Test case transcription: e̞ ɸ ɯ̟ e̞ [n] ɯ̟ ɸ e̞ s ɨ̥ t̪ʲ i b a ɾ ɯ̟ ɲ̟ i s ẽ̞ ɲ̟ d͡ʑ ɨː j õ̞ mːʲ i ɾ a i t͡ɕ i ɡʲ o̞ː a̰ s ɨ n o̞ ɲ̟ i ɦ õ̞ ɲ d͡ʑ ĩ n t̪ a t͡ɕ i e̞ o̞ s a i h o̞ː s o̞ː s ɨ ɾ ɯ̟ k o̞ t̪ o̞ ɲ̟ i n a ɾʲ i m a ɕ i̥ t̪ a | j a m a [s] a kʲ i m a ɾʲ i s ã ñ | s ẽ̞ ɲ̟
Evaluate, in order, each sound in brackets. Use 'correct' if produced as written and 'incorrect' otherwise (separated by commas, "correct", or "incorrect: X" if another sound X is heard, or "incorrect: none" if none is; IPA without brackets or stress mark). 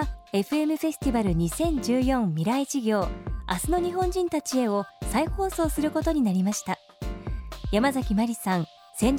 incorrect: m, incorrect: z